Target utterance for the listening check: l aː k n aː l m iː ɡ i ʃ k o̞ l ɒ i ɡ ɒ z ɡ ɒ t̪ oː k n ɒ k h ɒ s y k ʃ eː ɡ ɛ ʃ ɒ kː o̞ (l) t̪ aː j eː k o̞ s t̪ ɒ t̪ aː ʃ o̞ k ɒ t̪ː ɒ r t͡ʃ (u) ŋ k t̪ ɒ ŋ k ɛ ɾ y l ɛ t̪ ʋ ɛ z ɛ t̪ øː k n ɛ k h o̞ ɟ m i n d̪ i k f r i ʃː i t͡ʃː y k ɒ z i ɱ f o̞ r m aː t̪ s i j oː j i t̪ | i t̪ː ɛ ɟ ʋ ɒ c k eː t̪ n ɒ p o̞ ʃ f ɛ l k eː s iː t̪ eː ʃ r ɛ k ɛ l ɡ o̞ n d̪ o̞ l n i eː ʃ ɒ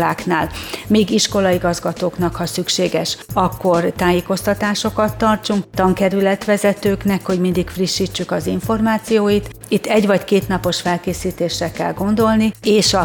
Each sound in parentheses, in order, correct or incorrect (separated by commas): incorrect, correct